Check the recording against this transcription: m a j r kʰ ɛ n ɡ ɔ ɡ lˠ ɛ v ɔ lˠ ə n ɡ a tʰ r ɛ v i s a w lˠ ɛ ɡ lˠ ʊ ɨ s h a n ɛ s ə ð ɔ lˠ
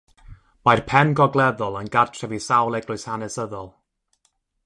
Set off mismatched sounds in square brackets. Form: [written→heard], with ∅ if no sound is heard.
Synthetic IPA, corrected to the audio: m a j r [kʰ→pʰ] ɛ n ɡ ɔ ɡ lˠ ɛ [v→ð] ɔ lˠ ə n ɡ a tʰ r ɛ v i s a w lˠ ɛ ɡ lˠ ʊ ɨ s h a n ɛ s ə ð ɔ lˠ